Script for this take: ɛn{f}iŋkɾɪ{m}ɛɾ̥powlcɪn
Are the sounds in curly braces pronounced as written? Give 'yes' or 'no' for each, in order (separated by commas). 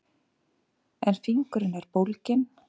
yes, no